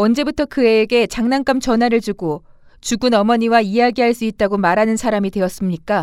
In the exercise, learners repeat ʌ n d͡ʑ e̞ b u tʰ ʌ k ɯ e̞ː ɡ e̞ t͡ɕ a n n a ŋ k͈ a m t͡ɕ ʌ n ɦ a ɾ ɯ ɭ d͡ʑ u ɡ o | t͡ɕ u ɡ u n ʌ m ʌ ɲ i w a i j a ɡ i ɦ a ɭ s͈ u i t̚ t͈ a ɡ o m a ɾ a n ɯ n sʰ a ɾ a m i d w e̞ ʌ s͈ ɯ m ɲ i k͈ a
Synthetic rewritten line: ʌ n d͡ʑ e̞ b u tʰ ʌ k ɯ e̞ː ɡ e̞ t͡ɕ a ŋ n a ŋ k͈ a m t͡ɕ ʌ n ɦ a ɾ ɯ ɭ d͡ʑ u ɡ o | t͡ɕ u ɡ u n ʌ m ʌ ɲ i w a i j a ɡ i ɦ a ɭ s͈ u i t̚ t͈ a ɡ o m a ɾ a n ɯ n sʰ a ɾ a m i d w e̞ ʌ s͈ ɯ m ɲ i k͈ a